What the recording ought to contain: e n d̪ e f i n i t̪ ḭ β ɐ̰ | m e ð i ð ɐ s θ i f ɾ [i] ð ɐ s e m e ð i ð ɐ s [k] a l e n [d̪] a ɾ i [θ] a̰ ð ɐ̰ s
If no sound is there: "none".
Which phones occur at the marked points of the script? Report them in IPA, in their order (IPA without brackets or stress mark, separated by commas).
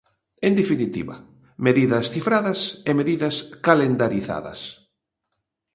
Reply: a, k, d̪, θ